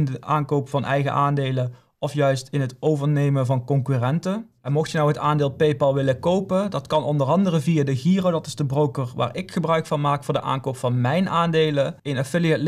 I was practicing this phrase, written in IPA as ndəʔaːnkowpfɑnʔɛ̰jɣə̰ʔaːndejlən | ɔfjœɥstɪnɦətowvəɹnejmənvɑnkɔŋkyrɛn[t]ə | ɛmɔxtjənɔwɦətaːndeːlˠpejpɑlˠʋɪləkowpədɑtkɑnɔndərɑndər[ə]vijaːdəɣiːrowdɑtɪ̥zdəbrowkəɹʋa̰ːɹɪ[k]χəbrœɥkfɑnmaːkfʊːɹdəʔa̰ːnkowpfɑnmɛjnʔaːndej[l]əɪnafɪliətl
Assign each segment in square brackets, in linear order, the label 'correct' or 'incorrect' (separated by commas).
correct, correct, correct, correct